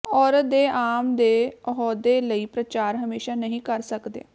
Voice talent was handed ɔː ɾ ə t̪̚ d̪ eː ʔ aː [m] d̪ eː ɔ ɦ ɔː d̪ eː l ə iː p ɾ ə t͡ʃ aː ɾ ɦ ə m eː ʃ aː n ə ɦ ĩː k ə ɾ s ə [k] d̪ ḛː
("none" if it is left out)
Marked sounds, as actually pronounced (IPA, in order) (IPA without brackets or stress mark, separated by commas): m, k